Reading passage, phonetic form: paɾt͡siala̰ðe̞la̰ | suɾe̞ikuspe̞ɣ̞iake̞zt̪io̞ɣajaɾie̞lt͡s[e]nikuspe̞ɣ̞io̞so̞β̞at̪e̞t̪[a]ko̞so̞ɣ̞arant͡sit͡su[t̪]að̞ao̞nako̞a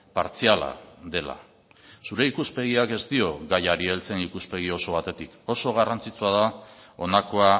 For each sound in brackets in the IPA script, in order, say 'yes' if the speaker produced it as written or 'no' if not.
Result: yes, no, no

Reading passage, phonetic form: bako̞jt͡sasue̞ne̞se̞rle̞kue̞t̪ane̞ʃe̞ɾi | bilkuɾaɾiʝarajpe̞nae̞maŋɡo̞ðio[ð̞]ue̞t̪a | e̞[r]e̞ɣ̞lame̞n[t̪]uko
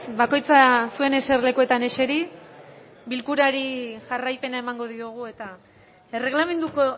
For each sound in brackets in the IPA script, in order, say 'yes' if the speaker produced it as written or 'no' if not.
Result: no, yes, no

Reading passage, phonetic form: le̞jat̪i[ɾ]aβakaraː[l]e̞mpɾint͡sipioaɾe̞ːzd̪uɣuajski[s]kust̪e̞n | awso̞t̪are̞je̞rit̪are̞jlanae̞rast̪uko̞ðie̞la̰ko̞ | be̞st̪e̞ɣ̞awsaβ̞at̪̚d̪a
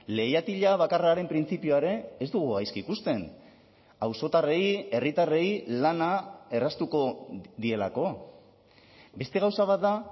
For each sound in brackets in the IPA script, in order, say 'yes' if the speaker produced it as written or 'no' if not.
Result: no, no, no

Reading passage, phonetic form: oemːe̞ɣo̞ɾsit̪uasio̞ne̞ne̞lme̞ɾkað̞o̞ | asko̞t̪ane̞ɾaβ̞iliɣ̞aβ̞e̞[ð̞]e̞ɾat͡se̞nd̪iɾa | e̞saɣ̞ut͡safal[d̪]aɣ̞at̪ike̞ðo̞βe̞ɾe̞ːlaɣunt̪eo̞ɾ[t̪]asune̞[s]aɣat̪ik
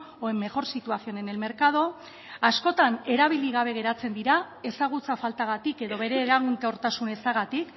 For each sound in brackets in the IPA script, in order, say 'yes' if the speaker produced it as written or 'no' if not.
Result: no, no, yes, yes

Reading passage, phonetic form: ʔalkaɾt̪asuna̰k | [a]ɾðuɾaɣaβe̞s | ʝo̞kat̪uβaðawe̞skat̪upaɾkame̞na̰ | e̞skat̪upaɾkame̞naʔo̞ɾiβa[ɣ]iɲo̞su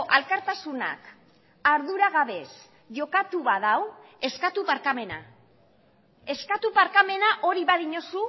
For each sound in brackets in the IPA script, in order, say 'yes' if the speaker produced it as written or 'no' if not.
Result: yes, no

